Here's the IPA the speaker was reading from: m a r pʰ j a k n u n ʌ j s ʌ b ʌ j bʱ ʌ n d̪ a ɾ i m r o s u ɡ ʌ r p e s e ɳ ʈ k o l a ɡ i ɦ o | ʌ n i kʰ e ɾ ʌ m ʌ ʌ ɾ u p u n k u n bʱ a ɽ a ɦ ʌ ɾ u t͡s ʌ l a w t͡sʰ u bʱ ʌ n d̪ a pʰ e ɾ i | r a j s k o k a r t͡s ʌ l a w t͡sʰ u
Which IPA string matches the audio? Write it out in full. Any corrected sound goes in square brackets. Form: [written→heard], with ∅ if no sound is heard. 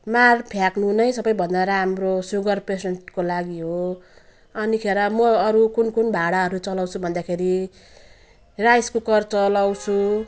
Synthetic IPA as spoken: m a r pʰ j a k n u n ʌ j s ʌ b ʌ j bʱ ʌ n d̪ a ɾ [i→a] m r o s u ɡ ʌ r p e s e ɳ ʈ k o l a ɡ i ɦ o | ʌ n i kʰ e ɾ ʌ m ʌ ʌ ɾ u [p→k] u n k u n bʱ a ɽ a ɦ ʌ ɾ u t͡s ʌ l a w t͡sʰ u bʱ ʌ n d̪ a [pʰ→kʰ] e ɾ i | r a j s k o k [a→ʌ] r t͡s ʌ l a w t͡sʰ u